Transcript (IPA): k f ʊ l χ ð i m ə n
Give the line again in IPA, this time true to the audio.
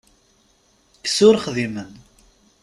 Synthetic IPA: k s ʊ ɾ χ ð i m ə n